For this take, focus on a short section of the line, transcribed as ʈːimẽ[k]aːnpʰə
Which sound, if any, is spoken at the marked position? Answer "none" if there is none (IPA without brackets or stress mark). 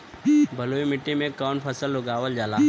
k